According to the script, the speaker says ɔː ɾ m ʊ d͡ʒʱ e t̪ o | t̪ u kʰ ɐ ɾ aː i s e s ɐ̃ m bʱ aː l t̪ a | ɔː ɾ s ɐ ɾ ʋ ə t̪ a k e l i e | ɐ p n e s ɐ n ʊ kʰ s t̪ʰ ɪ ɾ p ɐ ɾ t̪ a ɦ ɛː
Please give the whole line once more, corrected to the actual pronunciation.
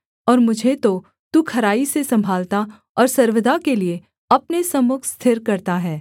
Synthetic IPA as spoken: ɔː ɾ m ʊ d͡ʒʱ e t̪ o | t̪ u kʰ ɐ ɾ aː i s e s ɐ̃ m bʱ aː l t̪ a | ɔː ɾ s ɐ ɾ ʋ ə d̪ a k e l i e | ɐ p n e s ɐ m ʊ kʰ s t̪ʰ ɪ ɾ k ɐ ɾ t̪ a ɦ ɛː

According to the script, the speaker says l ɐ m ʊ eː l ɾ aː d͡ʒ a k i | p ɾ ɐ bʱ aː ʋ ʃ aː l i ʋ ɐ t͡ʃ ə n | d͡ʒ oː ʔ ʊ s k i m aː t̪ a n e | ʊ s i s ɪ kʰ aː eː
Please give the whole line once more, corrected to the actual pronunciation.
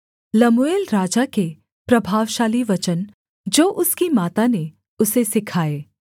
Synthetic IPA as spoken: l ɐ m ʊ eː l ɾ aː d͡ʒ a k e | p ɾ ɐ bʱ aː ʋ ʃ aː l i ʋ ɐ t͡ʃ ə n | d͡ʒ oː ʔ ʊ s k i m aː t̪ a n e | ʊ s e s ɪ kʰ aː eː

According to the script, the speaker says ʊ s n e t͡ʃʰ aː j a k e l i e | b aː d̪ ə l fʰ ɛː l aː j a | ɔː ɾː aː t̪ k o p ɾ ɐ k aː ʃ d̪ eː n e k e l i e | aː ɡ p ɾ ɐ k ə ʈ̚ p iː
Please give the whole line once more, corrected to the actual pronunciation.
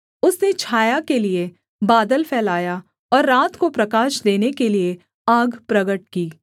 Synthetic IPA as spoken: ʊ s n e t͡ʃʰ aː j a k e l i e | b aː d̪ ə l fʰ ɛː l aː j a | ɔː ɾː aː t̪ k o p ɾ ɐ k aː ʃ d̪ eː n e k e l i e | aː ɡ p ɾ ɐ ɡ ə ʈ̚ k iː

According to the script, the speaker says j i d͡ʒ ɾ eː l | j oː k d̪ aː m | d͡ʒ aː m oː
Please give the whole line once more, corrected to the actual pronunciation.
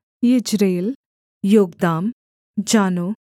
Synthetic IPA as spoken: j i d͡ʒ ɾ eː l | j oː ɡ d̪ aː m | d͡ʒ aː n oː

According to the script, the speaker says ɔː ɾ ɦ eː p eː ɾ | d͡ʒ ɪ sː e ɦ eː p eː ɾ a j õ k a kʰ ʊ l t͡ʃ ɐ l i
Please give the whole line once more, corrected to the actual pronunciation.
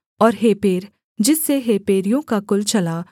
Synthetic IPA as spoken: ɔː ɾ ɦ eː p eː ɾ | d͡ʒ ɪ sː e ɦ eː p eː ɾ i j õ k a k ʊ l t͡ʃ ɐ l a

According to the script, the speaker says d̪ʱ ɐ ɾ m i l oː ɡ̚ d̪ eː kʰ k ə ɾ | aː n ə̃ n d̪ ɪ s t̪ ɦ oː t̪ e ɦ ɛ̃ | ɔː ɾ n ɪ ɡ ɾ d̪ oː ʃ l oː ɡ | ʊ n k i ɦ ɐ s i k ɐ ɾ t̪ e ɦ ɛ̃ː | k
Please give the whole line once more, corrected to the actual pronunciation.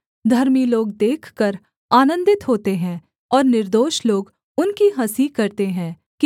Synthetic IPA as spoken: d̪ʱ ɐ ɾ m i l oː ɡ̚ d̪ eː kʰ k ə ɾ | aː n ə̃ n d̪ ɪ t̪ ɦ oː t̪ e ɦ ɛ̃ | ɔː ɾ n ɪ ɾ d̪ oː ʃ l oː ɡ | ʊ n k i ɦ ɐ s i k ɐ ɾ t̪ e ɦ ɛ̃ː | k

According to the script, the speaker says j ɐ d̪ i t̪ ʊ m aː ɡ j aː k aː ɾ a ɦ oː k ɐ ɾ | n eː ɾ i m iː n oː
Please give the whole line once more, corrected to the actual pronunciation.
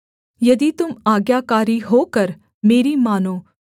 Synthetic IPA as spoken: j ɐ d̪ i t̪ ʊ m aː ɡ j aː k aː ɾ i ɦ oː k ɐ ɾ | m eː ɾ i m aː n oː

